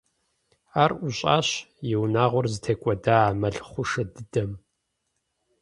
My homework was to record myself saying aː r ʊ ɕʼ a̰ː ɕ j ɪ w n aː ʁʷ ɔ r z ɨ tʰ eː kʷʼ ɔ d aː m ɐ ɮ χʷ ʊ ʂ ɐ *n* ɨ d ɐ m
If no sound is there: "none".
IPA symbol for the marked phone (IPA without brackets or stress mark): d